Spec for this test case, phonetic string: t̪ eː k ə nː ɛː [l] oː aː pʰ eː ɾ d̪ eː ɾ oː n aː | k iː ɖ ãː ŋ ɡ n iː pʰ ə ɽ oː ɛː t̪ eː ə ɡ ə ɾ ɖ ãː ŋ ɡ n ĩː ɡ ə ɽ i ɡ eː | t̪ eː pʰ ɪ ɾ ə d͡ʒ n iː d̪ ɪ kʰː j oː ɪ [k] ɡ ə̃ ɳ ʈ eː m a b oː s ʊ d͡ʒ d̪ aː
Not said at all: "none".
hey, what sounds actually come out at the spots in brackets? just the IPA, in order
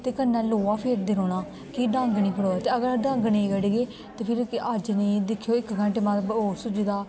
l, k

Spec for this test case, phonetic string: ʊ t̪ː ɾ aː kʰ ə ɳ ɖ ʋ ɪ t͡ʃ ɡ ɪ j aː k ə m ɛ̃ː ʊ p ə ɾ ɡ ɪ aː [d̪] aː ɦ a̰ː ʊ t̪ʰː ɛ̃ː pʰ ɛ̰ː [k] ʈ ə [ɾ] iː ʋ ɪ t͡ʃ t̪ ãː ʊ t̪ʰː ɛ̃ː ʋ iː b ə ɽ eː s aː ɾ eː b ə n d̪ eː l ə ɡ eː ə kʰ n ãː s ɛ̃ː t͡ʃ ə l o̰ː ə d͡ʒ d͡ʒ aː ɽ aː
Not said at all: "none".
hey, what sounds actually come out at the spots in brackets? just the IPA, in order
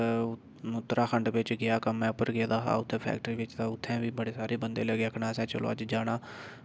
d̪, k, ɾ

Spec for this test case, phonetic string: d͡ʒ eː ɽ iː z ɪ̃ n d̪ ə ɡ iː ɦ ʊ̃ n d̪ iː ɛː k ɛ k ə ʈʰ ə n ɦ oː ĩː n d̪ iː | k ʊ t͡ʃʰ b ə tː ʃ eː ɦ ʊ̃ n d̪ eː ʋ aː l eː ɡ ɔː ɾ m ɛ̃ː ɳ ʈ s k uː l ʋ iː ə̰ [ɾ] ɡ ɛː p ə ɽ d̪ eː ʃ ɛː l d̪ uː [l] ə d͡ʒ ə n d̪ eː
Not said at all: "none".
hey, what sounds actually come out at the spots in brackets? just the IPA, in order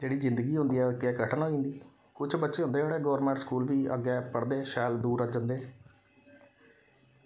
none, ɾ

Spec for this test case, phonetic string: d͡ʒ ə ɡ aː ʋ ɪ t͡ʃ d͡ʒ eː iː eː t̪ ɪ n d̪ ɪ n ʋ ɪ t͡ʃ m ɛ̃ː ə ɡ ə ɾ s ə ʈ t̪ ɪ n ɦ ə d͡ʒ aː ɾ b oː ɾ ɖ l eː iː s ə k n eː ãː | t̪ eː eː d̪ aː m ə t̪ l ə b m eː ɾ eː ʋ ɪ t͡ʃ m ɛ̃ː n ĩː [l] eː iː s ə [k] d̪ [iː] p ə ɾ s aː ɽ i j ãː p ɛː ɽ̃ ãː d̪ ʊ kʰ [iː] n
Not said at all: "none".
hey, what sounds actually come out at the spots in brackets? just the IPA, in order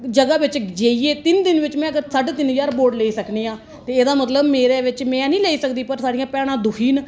l, k, iː, iː

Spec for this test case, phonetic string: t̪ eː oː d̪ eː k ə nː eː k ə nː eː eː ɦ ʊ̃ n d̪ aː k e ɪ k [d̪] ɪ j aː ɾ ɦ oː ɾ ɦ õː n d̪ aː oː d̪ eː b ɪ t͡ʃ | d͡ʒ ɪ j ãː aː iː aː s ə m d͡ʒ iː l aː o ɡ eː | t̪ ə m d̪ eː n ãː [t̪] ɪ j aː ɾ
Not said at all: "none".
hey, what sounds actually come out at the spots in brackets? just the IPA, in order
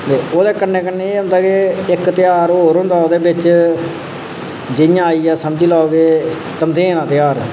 t̪, t̪

